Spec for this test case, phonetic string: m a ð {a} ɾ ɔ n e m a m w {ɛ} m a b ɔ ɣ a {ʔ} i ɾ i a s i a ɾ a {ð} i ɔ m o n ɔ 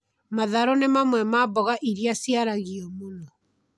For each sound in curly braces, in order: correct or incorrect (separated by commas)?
correct, correct, correct, incorrect